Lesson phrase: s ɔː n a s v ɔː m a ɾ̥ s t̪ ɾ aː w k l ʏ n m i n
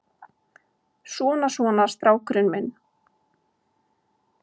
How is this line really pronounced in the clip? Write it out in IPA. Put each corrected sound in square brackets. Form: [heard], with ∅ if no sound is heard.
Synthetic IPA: s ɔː n a s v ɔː [n] a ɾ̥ s t̪ ɾ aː w k [ɾ] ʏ n m [ɪ] n